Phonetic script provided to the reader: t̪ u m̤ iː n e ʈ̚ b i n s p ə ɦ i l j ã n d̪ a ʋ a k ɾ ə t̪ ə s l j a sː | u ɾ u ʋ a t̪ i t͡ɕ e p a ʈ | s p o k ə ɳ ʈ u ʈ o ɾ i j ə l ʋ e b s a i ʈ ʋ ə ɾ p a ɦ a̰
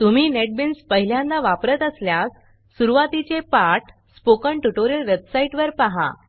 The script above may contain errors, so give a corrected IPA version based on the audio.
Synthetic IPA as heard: t̪ u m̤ iː n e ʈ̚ b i n s p ə ɦ i l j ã n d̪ a ʋ a p ɾ ə t̪ ə s l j a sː | u ɾ u ʋ a t̪ i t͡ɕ e p a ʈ | s p o k ə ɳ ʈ u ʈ o ɾ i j ə l ʋ e b s a i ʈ ʋ ə ɾ p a ɦ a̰